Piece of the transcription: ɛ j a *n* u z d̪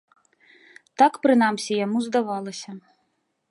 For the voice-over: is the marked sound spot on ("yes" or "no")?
no